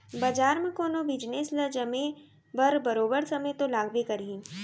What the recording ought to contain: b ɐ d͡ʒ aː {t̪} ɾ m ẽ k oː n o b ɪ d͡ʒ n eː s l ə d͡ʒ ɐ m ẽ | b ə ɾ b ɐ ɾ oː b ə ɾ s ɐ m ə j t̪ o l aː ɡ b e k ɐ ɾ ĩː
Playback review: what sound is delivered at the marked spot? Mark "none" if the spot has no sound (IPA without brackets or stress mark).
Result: none